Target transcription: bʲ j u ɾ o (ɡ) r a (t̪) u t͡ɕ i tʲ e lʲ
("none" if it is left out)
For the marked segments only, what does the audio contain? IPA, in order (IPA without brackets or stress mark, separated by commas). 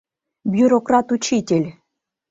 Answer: k, t̪